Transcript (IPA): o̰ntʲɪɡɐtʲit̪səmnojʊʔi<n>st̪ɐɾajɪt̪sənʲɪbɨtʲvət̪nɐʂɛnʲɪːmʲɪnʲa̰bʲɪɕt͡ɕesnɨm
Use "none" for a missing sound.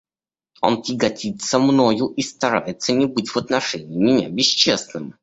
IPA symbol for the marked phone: none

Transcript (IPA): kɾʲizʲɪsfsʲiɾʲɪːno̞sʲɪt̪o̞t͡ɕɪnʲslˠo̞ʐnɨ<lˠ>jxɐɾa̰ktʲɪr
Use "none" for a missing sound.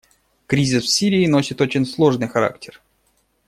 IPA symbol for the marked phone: none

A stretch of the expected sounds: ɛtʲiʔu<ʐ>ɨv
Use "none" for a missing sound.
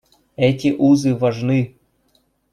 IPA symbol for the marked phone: z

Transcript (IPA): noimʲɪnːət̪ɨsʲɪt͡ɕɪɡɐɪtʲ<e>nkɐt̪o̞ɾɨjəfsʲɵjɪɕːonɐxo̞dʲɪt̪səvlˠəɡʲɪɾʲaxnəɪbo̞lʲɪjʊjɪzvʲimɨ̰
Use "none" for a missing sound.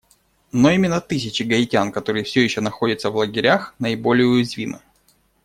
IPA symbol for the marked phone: a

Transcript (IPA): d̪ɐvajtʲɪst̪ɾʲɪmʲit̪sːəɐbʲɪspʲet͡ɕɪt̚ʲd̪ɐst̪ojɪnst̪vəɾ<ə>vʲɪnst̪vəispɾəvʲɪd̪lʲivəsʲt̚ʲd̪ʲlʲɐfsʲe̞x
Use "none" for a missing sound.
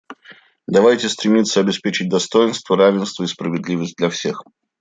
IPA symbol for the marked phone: a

